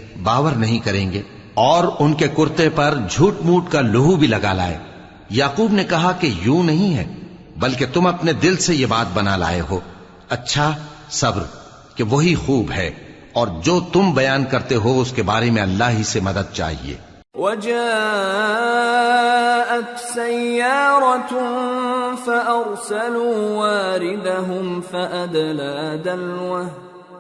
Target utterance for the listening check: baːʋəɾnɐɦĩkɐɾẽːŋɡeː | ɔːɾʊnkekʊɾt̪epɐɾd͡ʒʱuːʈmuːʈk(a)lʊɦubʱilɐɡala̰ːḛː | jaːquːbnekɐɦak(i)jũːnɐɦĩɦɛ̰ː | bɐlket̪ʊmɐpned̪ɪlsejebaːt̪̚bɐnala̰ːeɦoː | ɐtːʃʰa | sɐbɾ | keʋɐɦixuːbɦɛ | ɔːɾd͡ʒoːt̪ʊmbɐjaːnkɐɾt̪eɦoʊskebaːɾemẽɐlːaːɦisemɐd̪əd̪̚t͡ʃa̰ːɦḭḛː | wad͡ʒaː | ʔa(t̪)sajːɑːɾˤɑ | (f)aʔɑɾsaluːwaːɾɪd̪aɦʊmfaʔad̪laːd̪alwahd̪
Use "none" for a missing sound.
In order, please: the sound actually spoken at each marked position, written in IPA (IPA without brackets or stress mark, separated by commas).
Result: a, e, t̪, f